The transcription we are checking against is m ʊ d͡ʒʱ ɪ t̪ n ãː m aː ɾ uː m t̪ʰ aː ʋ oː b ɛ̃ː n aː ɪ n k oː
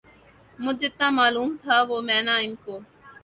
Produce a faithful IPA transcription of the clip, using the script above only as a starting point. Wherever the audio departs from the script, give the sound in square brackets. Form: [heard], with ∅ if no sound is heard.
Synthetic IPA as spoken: m ʊ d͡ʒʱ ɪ t̪ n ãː m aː [l] uː m t̪ʰ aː ʋ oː [m] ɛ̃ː n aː ɪ n k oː

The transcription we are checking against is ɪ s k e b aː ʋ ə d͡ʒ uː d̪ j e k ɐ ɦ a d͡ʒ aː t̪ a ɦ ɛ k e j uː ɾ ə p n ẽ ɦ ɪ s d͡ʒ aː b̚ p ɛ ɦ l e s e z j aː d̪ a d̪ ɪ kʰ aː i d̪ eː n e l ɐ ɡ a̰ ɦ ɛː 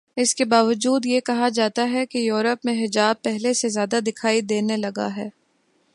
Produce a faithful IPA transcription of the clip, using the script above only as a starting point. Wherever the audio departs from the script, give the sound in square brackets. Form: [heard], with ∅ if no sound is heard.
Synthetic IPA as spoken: ɪ s k e b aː ʋ ə d͡ʒ uː d̪ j e k ɐ ɦ a d͡ʒ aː t̪ a ɦ ɛ k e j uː ɾ ə p [m] ẽ ɦ ɪ [∅] d͡ʒ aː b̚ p ɛ ɦ l e s e z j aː d̪ a d̪ ɪ kʰ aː i d̪ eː n e l ɐ ɡ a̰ ɦ ɛː

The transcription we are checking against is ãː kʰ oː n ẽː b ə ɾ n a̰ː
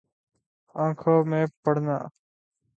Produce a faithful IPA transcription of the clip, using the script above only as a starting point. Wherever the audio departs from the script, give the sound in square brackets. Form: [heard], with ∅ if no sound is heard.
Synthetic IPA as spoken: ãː kʰ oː [m] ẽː [p] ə [ɽ] n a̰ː

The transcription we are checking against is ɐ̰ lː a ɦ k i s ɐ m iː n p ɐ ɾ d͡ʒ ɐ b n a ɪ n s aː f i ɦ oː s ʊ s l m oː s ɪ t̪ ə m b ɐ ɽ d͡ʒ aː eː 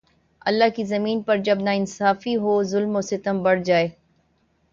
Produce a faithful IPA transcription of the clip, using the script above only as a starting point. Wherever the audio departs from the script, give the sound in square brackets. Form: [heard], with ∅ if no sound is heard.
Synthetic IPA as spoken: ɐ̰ lː a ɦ k i [z] ɐ m iː n p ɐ ɾ d͡ʒ ɐ b n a ɪ n s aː f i ɦ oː [z] ʊ [∅] l m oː s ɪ t̪ ə m b ɐ ɽ d͡ʒ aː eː

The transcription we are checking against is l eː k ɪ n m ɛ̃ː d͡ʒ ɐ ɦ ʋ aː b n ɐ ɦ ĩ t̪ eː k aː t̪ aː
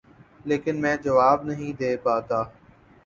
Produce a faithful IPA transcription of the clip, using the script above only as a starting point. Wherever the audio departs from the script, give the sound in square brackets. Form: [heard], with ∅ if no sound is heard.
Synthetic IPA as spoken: l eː k ɪ n m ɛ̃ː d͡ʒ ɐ [∅] ʋ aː b n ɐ ɦ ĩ [d̪] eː [p] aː t̪ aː

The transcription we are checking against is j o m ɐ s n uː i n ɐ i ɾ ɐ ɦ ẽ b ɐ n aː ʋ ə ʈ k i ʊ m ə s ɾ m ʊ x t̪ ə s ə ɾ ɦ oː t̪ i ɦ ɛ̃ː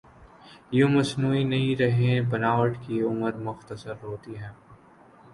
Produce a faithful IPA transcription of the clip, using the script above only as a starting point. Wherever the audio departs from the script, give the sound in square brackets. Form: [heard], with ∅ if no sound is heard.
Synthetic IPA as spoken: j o m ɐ s n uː i n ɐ i ɾ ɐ ɦ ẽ b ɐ n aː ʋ ə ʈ k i ʊ m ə [∅] ɾ m ʊ x t̪ ə s ə ɾ ɦ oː t̪ i ɦ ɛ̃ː

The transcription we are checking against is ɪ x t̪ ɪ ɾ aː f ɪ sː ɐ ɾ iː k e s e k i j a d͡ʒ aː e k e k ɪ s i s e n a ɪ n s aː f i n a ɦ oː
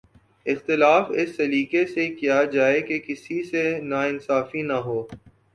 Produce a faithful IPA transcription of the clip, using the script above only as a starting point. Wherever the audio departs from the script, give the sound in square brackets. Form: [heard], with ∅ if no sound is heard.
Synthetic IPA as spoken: ɪ x t̪ ɪ [l] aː f ɪ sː ɐ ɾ iː k e s e k i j a d͡ʒ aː e k e k ɪ s i s e n a ɪ n s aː f i n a ɦ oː

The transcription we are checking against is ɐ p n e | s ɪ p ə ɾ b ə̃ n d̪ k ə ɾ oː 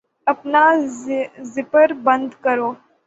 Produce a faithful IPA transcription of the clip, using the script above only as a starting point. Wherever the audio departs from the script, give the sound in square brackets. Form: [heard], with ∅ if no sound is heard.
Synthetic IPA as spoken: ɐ p n [a] | [z] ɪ p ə ɾ b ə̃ n d̪ k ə ɾ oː

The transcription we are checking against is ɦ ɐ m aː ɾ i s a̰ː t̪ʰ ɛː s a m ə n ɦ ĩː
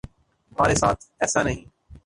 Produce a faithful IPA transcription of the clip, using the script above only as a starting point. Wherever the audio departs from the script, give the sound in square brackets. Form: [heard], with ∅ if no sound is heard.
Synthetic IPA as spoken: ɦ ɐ m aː ɾ [e] s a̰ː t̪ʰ ɛː s a [n] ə [∅] ɦ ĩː

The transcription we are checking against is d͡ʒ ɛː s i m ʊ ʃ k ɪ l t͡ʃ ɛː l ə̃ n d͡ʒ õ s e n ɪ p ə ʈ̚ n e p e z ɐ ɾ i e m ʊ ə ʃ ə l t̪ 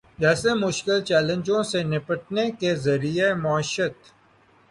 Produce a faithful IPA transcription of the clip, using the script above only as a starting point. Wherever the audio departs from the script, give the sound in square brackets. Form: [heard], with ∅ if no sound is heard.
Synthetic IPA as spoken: d͡ʒ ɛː s [e] m ʊ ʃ k ɪ l t͡ʃ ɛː l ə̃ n d͡ʒ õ s e n ɪ p ə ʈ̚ n e [k] e z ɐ ɾ i e m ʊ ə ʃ ə [∅] t̪

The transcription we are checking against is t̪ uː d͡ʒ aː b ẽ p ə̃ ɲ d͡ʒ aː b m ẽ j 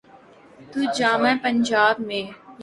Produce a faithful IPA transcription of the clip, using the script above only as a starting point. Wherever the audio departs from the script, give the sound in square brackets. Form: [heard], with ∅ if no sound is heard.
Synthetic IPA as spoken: t̪ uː d͡ʒ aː [m] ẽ p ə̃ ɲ d͡ʒ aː b m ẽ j

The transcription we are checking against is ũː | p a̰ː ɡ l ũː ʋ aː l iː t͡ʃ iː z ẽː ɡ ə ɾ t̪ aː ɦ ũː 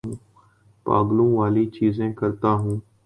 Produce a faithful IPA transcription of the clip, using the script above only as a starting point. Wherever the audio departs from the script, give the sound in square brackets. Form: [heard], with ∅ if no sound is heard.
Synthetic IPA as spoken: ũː | p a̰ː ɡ l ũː ʋ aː l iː t͡ʃ iː z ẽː [k] ə ɾ t̪ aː ɦ ũː

